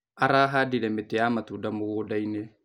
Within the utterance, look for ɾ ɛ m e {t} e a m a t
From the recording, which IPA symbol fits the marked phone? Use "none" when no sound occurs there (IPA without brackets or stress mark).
t